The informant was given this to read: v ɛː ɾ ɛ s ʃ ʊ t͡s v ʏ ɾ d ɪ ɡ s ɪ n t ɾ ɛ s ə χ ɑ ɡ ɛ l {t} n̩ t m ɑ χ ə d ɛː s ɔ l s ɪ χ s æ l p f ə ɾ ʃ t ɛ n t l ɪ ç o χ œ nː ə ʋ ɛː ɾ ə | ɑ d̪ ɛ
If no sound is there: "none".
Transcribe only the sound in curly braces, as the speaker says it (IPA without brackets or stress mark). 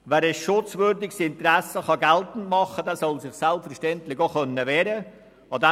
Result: t